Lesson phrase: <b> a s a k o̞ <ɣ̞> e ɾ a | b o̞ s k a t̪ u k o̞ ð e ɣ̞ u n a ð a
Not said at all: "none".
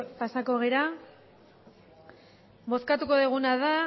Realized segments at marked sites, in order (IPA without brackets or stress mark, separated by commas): p, ɣ̞